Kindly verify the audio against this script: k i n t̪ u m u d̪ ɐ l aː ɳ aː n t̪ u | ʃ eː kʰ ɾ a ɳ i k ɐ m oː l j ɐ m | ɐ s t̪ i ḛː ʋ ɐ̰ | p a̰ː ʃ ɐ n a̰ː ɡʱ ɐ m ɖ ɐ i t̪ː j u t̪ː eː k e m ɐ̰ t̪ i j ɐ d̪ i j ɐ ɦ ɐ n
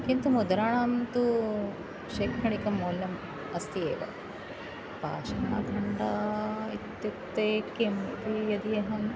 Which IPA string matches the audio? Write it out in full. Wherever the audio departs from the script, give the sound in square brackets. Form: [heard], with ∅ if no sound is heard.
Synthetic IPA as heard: k i n t̪ u m u d̪ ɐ [ɾ] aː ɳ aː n t̪ u | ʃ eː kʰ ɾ [ɐ] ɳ i k ɐ m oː l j ɐ m | ɐ s t̪ i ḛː ʋ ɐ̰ | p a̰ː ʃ ɐ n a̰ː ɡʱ ɐ [ɳ] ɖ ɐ i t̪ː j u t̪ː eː k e m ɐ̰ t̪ i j ɐ d̪ i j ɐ ɦ ɐ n